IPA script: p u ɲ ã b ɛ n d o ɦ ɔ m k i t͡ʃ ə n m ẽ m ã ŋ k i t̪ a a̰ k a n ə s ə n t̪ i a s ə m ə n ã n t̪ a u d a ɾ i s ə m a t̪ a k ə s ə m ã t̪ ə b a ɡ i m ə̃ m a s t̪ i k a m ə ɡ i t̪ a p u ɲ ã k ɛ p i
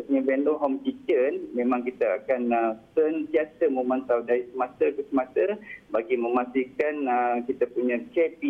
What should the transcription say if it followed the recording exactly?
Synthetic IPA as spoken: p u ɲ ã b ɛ n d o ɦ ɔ m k i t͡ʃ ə n m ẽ m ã ŋ k i t̪ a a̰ k a n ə s ə n t̪ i a s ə m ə m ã n t̪ a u d a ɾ i s ə m a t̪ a k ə s ə m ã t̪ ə b a ɡ i m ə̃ m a s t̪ i k a n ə k i t̪ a p u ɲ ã k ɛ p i